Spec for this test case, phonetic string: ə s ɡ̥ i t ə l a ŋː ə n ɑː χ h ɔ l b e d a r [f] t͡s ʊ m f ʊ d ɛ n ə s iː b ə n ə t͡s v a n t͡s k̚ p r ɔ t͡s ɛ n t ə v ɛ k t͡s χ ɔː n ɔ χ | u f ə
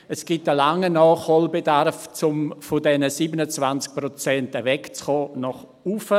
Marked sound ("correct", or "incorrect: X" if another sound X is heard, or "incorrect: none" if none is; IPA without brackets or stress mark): correct